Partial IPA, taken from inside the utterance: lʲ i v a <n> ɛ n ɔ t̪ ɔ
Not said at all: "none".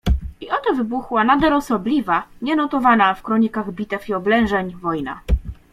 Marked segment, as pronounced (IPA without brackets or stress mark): ɲ